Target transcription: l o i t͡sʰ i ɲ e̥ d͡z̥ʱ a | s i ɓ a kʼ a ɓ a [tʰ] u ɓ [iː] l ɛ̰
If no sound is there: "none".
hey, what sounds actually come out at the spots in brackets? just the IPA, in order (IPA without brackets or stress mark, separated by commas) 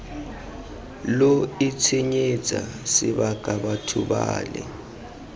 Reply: tʰ, aː